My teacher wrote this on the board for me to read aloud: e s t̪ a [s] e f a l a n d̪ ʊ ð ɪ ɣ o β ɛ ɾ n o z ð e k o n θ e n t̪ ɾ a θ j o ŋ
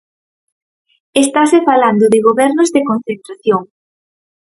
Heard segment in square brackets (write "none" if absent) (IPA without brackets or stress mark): s